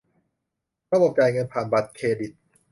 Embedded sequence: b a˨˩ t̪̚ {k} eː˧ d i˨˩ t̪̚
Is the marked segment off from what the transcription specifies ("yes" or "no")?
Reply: yes